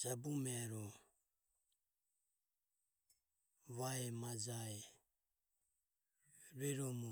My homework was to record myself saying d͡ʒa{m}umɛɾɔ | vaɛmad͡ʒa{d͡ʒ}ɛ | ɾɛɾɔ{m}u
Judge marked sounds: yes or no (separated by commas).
no, no, yes